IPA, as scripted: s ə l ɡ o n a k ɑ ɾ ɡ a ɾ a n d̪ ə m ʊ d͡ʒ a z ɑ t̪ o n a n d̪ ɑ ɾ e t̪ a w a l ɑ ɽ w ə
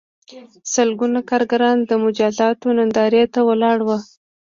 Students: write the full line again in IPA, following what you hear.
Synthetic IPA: s ə l ɡ u n a k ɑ ɾ ɡ a ɾ ɑ n d̪ ə m ʊ d͡ʒ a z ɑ t̪ o n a n d̪ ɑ ɾ e t̪ a w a l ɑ ɽ w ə